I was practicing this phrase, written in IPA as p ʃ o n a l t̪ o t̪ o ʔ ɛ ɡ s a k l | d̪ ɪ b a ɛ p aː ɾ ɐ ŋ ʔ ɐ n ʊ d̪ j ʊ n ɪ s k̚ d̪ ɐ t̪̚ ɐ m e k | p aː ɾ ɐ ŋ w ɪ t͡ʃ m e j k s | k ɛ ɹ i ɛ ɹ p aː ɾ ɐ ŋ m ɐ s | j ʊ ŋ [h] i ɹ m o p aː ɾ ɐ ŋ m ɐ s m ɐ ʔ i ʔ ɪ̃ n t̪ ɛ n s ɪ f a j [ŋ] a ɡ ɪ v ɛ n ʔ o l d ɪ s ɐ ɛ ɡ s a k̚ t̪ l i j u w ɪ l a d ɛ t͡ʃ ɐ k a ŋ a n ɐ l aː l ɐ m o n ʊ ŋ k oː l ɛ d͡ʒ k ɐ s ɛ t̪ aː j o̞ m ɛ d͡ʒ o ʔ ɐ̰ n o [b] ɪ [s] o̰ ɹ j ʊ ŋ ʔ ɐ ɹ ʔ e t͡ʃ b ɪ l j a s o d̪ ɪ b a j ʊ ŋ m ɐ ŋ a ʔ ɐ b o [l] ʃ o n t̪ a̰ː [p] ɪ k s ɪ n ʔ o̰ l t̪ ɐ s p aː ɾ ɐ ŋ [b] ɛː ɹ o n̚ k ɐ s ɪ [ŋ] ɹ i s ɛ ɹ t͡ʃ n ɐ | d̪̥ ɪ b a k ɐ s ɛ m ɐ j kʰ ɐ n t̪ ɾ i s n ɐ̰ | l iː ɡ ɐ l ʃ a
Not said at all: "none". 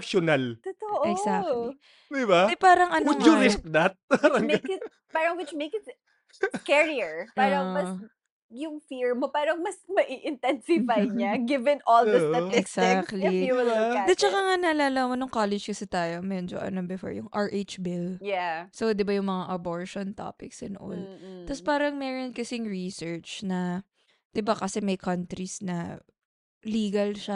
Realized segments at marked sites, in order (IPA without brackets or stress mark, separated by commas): f, ɲ, b, f, ɹ, p, m, ŋ